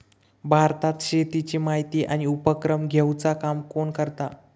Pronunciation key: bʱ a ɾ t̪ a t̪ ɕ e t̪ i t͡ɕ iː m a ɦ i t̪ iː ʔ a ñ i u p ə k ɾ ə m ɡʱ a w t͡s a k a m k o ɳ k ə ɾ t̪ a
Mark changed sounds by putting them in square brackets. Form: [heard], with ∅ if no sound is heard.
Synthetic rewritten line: bʱ a ɾ t̪ a t̪ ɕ e t̪ i t͡ɕ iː m a ɦ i t̪ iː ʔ a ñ i u p ə k ɾ ə m ɡʱ [e] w t͡s a k a m k o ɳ k ə ɾ t̪ a